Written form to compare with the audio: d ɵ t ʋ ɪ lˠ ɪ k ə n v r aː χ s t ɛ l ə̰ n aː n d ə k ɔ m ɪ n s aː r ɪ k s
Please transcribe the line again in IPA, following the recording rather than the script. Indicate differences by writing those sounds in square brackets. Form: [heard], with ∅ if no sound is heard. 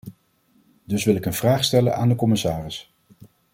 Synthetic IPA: d ɵ [s] ʋ ɪ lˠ ɪ k ə n v r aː χ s t ɛ l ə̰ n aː n d ə k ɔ m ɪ [∅] s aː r ɪ [∅] s